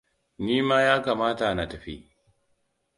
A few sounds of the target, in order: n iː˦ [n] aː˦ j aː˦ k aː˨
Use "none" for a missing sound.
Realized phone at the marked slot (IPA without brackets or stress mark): m